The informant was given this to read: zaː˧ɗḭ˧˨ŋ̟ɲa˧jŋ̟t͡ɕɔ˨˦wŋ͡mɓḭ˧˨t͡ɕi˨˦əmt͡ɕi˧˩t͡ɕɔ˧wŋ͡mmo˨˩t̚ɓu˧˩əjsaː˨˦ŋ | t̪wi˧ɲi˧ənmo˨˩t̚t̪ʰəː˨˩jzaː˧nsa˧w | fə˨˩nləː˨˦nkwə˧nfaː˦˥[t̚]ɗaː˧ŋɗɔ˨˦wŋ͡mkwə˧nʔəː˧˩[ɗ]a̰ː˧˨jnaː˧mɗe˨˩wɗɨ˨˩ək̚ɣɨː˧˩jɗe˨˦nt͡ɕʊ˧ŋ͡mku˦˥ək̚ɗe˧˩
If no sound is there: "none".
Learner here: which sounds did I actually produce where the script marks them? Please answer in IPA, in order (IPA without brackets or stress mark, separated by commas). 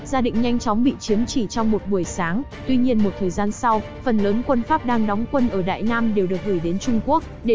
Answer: p̚, ɗ